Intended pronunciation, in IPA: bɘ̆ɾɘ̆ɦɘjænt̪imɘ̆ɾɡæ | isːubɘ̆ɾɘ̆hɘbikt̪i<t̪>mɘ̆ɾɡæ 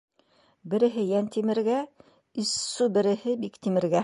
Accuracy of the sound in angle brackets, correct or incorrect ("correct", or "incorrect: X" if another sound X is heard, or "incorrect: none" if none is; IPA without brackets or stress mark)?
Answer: incorrect: none